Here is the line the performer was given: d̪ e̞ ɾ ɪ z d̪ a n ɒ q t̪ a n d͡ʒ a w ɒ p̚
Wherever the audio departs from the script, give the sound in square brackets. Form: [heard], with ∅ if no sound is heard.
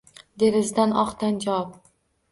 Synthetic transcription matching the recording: d̪ e̞ ɾ ɪ z d̪ a n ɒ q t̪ a n d͡ʒ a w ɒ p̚